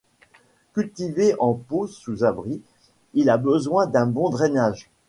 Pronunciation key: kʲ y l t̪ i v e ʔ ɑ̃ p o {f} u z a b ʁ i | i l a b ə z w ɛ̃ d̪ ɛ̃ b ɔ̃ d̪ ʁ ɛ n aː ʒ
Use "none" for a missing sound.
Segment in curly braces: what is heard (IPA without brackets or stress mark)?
s